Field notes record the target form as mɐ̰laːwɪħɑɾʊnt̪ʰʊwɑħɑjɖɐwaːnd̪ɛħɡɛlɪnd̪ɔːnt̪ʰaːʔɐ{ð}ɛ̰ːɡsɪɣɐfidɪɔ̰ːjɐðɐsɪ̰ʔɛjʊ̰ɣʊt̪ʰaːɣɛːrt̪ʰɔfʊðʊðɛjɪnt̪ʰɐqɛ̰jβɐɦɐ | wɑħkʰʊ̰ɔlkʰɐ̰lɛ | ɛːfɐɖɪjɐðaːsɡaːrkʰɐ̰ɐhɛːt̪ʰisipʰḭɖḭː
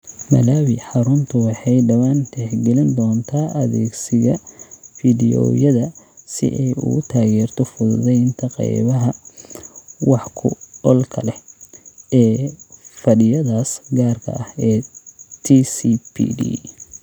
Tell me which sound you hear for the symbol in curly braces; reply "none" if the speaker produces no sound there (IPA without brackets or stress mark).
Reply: ð